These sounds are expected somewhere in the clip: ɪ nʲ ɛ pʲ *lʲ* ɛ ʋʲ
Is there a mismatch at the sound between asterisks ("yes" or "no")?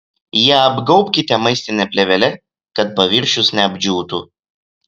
no